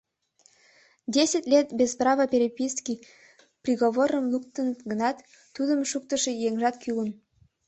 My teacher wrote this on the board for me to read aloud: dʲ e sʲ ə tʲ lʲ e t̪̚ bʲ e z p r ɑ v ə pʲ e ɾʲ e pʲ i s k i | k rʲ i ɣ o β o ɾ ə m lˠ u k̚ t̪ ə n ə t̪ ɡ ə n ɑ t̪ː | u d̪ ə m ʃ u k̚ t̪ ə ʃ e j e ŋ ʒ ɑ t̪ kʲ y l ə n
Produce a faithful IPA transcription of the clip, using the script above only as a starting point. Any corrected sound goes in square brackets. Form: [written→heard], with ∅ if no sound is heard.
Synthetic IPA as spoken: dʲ e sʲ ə tʲ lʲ e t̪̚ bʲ e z p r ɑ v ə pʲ e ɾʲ e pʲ i s k i | [k→p] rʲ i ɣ o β o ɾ ə m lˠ u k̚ t̪ ə n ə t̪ ɡ ə n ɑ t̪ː | u d̪ ə m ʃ u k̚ t̪ ə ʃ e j e ŋ ʒ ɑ t̪ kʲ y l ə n